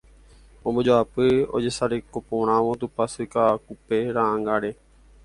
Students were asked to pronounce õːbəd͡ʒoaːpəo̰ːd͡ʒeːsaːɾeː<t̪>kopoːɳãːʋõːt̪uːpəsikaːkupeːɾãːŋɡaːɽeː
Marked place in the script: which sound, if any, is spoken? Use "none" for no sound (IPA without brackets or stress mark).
none